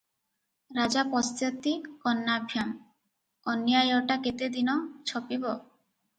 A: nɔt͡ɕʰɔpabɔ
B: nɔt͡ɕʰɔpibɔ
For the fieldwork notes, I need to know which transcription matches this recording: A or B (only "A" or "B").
B